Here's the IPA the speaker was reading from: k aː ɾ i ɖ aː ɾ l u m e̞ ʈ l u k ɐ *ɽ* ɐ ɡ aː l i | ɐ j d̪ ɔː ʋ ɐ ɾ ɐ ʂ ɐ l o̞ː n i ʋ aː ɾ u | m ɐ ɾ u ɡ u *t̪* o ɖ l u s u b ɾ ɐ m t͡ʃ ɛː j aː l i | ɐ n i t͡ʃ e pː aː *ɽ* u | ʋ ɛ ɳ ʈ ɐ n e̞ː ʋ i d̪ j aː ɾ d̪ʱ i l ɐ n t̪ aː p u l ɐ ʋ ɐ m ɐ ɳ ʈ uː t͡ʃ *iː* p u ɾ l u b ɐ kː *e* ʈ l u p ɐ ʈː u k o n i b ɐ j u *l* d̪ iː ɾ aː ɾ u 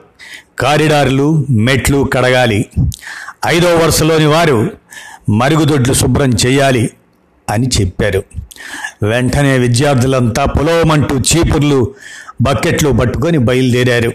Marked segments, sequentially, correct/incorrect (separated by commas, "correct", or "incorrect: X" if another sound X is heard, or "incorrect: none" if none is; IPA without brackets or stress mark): correct, incorrect: d̪, incorrect: ɾ, correct, correct, correct